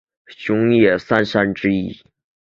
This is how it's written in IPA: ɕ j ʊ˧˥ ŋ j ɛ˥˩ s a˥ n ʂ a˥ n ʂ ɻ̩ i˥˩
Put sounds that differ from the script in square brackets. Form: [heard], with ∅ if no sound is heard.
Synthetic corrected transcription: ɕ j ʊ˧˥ ŋ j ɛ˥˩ s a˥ n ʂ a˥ n [ʈ͡ʂ] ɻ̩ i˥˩